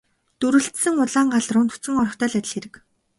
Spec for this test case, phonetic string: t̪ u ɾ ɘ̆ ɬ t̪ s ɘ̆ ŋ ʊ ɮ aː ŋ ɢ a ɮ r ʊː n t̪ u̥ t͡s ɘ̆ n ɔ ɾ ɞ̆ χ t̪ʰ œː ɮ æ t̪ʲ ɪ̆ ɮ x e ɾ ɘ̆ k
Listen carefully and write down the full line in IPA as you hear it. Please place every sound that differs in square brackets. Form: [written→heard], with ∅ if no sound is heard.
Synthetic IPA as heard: t̪ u ɾ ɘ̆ ɬ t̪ s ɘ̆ ŋ ʊ ɮ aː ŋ ɢ a ɮ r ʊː n t̪ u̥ t͡s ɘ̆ [n→ŋ] ɔ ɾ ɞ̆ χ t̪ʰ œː ɮ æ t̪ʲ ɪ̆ ɮ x e ɾ ɘ̆ k